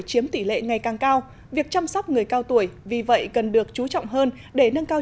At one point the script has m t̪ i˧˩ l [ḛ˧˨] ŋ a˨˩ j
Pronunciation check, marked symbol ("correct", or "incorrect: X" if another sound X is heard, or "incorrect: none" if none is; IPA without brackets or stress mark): correct